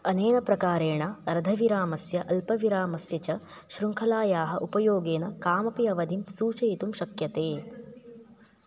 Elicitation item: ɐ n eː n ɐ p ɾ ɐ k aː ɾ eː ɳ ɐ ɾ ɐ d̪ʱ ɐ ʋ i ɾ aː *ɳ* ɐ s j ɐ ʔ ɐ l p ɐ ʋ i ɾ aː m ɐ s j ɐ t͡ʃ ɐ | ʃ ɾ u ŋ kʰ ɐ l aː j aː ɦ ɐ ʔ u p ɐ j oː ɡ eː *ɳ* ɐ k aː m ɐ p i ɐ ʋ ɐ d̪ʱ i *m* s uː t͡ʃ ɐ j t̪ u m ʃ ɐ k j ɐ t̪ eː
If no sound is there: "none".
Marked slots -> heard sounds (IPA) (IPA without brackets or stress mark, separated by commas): m, n, m